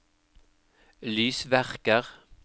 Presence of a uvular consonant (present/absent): present